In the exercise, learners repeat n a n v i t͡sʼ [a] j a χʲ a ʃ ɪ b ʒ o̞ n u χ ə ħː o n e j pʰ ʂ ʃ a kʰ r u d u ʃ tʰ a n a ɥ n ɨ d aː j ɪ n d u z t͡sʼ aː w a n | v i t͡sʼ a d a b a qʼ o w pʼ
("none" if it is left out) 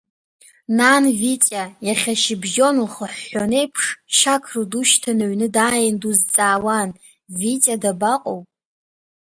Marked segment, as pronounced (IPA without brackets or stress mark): a